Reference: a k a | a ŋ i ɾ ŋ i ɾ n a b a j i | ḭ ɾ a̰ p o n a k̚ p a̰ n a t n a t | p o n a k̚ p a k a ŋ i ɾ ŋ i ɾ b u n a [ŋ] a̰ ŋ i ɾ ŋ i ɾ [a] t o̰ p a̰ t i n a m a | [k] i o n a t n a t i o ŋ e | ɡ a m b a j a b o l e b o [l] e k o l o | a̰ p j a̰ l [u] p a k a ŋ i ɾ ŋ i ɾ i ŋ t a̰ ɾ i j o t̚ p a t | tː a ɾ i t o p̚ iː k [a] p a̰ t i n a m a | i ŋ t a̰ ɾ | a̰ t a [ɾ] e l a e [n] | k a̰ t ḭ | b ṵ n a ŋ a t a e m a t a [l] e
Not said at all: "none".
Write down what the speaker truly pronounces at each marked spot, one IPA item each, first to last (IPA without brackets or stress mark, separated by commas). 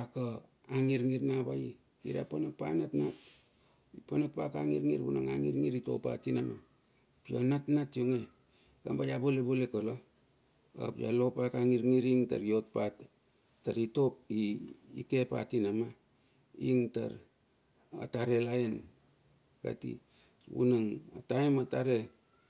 ŋ, i, p, l, o, e, ɾ, n, ɾ